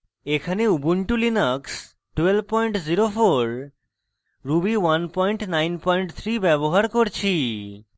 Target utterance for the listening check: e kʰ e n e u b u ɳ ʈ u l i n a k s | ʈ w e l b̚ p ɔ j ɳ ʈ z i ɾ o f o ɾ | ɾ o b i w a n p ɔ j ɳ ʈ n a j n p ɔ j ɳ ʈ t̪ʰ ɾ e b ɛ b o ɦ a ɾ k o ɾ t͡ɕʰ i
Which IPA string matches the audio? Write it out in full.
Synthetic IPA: e kʰ a n e u b u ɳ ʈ u l i n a k s | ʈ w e l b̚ p ɔ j ɳ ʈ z i ɾ o f o ɾ | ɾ u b i w a n p ɔ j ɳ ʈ n a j n p ɔ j ɳ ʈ t̪ʰ ɾ i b ɛ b o ɦ a ɾ k o ɾ t͡ɕʰ i

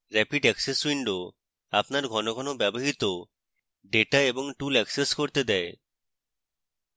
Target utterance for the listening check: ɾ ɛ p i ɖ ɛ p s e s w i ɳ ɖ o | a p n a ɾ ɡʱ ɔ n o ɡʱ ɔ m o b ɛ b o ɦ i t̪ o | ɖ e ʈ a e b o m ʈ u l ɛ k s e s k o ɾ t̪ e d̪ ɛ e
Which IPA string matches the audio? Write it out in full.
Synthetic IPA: ɾ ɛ p i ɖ ɛ k s e s w i ɳ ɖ o | a p n a ɾ ɡʱ ɔ n o ɡʱ ɔ n o b ɛ b o ɦ i t̪ o | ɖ e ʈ a e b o ŋ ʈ u l ɛ k s e s k o ɾ t̪ e d̪ ɛ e

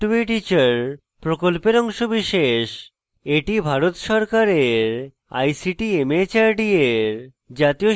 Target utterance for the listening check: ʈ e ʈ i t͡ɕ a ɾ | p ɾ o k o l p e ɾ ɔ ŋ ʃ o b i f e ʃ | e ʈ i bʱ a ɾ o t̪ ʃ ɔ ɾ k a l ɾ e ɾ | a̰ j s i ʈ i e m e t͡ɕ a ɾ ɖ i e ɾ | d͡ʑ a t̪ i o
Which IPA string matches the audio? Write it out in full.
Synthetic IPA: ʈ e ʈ i t͡ɕ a ɾ | p ɾ o k o l p e ɾ ɔ ŋ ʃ o b i ʃ e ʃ | e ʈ i bʱ a ɾ o t̪ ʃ ɔ ɾ k a ɾ e ɾ | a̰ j s i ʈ i e m e t͡ɕ a ɾ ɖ i e ɾ | d͡ʑ a t̪ i o

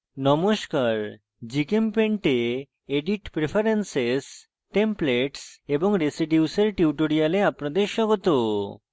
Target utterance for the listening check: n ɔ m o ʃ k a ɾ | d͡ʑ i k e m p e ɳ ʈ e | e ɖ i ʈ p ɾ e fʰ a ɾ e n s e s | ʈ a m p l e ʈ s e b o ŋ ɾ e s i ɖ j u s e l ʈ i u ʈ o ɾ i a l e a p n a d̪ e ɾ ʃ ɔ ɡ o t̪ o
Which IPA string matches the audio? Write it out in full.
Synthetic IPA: n ɔ m o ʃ k a ɾ | d͡ʑ i k e m p e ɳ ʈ e | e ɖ i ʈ p ɾ e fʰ a ɾ e n s e s | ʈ e m p l e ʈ s e b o ŋ ɾ e s i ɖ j u s e ɾ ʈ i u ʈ o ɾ i a l e a p n a d̪ e ɾ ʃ ɔ ɡ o t̪ o

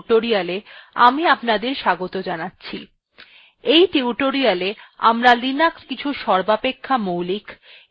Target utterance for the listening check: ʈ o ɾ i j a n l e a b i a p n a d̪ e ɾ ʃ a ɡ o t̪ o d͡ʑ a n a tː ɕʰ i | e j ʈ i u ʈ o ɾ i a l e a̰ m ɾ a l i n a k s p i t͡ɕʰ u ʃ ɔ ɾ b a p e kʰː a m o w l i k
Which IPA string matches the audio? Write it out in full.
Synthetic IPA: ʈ o ɾ i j a l e a m i a p n a d̪ e ɾ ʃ a ɡ o t̪ o d͡ʑ a n a tː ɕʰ i | e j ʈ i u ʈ o ɾ i a l e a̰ m ɾ a l i n a k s k i t͡ɕʰ u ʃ ɔ ɾ b a p e kʰː a m o w l i k

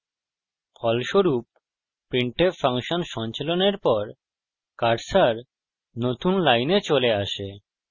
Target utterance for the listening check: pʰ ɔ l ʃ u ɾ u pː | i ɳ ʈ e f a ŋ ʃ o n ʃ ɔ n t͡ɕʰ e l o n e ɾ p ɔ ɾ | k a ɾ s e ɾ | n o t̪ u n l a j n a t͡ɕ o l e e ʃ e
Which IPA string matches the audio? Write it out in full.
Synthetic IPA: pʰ ɔ l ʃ o ɾ u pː | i ɳ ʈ e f a ŋ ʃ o n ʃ ɔ n t͡ɕ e l o n e ɾ p ɔ ɾ | k a ɾ s a ɾ | n o t̪ u n l a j n e t͡ɕ o l e a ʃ e

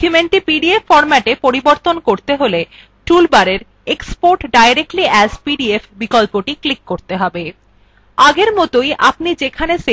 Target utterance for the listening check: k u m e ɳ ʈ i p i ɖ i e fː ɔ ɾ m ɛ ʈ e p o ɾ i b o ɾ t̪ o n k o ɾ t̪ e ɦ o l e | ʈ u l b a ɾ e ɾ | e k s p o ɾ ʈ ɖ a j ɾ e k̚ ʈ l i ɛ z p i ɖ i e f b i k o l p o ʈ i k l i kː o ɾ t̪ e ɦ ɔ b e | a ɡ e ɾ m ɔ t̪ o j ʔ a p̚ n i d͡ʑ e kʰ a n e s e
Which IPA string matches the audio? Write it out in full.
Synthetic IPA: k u m e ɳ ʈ i p i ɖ i e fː ɔ ɾ m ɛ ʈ e p o ɾ i b o ɾ t̪ o n k o ɾ t̪ e ɦ o l e | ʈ u l b a ɾ e ɾ | e k s p o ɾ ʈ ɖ a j ɾ e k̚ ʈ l i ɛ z p i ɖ i e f b i k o l p o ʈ i k l i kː o ɾ t̪ e ɦ ɔ b e | a ɡ e ɾ m ɔ t̪ o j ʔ a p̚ n i d͡ʑ e kʰ a n e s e

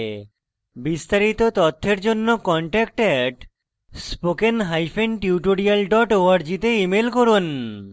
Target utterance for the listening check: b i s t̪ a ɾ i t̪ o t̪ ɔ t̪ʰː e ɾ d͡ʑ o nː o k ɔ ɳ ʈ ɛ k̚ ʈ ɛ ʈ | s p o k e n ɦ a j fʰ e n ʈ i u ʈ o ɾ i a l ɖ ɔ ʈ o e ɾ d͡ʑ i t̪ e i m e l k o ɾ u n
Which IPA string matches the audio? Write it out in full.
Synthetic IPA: b i s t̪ a ɾ i t̪ o t̪ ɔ t̪ʰː e ɾ d͡ʑ o nː o k ɔ ɳ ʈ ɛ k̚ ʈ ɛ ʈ | s p o k e n ɦ a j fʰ e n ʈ i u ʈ o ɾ i a l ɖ ɔ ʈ o a ɾ d͡ʑ i t̪ e i m e l k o ɾ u n

